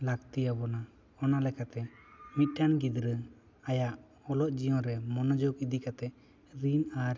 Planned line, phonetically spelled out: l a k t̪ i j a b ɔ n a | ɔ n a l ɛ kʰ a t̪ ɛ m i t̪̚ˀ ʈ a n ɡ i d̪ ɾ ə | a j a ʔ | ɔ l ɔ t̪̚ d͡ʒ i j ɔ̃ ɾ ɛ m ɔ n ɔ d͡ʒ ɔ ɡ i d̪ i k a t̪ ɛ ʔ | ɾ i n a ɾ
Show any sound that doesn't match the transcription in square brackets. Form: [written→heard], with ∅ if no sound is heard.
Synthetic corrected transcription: l a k t̪ i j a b ɔ n a | ɔ n a l ɛ [kʰ→k] a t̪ ɛ m i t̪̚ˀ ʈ a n ɡ i d̪ ɾ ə | a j a ʔ | ɔ l ɔ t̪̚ d͡ʒ i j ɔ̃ ɾ ɛ m ɔ n ɔ d͡ʒ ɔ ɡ i d̪ i k a t̪ ɛ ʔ | ɾ i n a ɾ